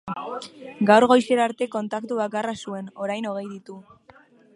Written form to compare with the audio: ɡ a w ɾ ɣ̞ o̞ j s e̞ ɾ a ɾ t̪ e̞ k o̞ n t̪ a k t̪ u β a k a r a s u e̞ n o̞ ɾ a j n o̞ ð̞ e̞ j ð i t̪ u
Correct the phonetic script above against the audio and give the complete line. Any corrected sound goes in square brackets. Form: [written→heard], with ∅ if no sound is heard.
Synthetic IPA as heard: ɡ a w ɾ ɣ̞ o̞ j s e̞ ɾ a ɾ t̪ e̞ k o̞ n t̪ a k t̪ u β a k a r a s u e̞ n o̞ ɾ a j n o̞ [ð̞→ɣ̞] e̞ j ð i t̪ u